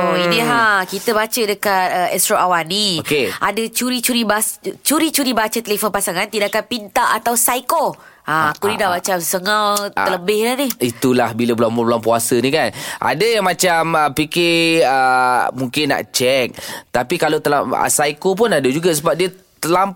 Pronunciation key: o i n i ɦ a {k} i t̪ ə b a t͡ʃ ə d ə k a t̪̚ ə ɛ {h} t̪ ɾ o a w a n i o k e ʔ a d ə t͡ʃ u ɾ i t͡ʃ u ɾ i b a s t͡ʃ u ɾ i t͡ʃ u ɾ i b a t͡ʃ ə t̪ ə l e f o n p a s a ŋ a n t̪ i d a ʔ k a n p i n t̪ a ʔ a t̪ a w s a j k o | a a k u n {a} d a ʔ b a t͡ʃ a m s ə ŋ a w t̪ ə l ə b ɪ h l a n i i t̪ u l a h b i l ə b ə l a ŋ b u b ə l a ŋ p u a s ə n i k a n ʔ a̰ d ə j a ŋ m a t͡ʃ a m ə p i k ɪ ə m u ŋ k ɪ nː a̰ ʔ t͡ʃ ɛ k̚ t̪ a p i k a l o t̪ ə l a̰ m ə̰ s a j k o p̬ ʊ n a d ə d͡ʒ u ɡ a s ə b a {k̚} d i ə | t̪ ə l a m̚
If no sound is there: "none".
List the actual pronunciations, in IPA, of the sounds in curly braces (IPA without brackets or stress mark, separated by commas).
k, s, i, p̚